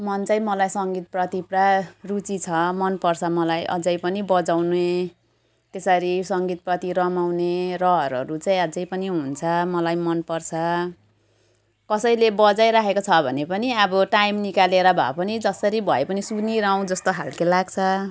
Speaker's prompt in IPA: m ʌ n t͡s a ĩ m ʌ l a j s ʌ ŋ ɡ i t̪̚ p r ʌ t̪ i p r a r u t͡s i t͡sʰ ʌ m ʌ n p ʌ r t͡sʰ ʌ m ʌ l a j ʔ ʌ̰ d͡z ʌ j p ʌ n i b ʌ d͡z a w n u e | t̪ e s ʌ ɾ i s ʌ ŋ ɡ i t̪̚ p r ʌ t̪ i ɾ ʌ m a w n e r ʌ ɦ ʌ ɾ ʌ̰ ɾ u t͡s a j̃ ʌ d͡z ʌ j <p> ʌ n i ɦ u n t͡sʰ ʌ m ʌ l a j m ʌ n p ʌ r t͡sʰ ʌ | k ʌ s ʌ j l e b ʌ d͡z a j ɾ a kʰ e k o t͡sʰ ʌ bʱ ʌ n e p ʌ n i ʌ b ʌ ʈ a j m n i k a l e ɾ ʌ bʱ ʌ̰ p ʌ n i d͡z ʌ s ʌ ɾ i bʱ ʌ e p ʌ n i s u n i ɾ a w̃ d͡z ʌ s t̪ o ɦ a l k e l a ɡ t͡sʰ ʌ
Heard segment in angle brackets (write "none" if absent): p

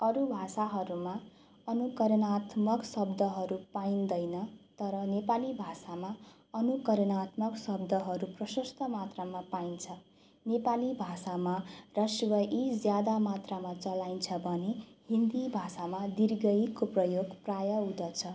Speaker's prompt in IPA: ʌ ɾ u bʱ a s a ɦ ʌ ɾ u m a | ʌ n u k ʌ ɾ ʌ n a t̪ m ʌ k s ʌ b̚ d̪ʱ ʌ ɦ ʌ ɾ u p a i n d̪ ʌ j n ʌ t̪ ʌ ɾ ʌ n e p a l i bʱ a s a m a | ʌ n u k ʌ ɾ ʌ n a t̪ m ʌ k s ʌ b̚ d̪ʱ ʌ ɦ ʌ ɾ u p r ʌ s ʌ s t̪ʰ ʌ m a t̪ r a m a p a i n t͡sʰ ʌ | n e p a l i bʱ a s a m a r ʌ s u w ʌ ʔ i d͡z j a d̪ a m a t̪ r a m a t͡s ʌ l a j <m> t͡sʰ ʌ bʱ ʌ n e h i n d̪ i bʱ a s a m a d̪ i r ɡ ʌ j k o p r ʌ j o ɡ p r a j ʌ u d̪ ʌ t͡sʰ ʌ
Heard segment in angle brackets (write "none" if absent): n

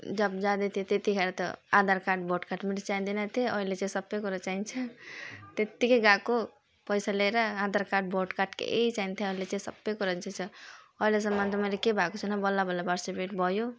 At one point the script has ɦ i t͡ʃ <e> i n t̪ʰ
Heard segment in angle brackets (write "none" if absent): a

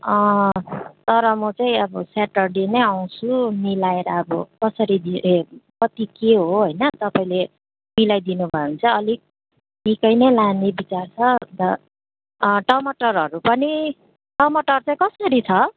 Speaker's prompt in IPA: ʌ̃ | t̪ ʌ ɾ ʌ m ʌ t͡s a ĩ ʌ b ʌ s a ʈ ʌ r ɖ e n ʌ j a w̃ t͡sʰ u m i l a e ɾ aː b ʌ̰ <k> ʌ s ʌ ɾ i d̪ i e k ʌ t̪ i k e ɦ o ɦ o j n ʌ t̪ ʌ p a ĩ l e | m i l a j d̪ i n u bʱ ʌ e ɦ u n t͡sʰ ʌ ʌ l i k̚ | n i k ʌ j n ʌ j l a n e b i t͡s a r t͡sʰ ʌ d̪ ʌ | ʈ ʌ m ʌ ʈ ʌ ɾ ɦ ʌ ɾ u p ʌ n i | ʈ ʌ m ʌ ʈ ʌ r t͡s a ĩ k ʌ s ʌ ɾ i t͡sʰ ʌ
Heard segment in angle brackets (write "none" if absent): k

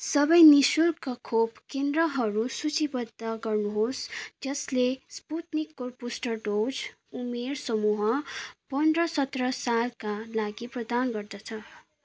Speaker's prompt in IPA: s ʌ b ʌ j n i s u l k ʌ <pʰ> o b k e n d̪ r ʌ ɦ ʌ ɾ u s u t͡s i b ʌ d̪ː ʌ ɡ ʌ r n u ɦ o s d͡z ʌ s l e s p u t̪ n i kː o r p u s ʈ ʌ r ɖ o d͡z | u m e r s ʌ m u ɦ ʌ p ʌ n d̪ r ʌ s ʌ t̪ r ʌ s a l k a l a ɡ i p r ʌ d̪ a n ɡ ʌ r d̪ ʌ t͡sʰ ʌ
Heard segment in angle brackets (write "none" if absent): kʰ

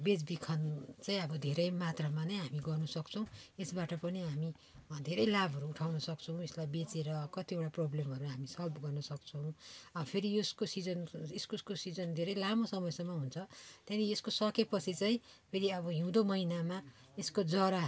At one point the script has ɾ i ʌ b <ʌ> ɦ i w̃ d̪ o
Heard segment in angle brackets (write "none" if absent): ʌ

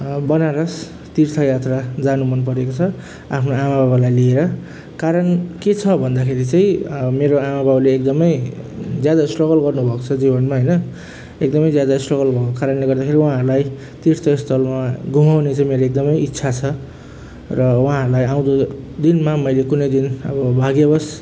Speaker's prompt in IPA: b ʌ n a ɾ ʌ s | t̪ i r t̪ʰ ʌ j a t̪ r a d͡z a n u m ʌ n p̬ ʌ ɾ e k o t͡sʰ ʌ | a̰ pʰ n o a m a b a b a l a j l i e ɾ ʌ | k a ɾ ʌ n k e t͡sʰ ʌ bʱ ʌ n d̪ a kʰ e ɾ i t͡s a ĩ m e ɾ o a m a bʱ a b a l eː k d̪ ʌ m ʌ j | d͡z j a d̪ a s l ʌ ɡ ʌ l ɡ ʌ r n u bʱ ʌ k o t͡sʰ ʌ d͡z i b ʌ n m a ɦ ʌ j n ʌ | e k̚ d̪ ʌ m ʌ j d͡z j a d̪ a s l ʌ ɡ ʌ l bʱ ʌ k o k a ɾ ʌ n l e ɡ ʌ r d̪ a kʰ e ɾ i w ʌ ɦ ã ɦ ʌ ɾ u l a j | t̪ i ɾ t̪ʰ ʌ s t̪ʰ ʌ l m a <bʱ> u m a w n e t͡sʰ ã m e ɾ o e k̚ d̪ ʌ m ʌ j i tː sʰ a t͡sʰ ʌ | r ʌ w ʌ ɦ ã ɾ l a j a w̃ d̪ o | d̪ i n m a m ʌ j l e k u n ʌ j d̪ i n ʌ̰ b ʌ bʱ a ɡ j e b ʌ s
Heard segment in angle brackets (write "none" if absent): ɡʱ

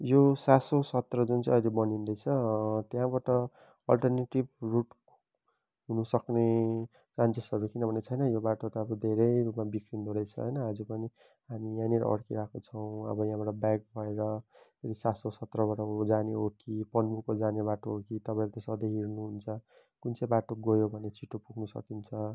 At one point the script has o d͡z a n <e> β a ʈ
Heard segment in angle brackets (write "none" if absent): e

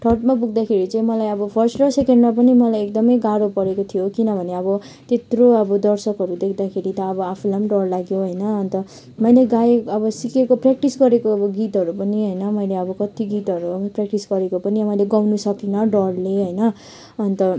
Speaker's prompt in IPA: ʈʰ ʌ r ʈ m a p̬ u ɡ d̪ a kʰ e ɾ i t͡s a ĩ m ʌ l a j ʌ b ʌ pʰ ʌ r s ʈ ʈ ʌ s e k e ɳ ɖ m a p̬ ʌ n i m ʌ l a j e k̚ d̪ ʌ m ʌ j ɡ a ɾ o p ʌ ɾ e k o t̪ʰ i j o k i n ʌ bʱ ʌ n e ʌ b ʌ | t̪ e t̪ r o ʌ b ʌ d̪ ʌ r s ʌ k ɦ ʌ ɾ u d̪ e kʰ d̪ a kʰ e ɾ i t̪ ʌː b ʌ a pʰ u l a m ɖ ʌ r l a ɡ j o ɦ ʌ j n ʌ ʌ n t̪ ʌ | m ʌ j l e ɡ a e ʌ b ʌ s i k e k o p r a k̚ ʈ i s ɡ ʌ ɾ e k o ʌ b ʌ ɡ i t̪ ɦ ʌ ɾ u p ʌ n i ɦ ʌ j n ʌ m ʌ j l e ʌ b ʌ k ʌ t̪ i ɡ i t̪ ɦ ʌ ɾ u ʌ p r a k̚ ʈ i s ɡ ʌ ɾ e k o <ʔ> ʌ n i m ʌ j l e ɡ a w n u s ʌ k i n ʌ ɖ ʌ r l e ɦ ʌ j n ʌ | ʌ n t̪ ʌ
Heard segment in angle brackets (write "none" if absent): p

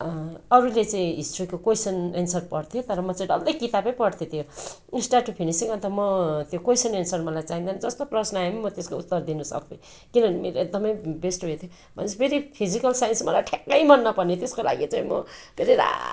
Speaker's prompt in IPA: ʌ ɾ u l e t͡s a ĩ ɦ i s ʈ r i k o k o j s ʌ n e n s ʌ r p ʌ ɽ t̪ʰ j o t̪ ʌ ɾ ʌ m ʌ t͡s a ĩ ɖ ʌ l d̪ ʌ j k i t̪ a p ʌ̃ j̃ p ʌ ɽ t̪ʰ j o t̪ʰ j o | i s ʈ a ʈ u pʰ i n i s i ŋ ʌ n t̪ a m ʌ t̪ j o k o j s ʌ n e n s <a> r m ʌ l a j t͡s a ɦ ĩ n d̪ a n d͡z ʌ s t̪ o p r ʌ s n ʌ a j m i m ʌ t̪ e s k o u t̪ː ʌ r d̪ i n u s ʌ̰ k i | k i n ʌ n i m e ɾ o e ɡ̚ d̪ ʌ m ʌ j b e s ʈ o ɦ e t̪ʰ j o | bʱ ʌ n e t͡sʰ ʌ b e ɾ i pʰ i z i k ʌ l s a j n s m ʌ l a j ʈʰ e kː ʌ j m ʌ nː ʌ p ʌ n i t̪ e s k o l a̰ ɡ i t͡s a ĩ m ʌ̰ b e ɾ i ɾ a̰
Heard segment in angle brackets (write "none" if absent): ʌ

